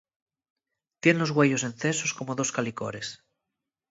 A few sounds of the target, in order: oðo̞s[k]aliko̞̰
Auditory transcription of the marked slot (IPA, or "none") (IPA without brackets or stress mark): k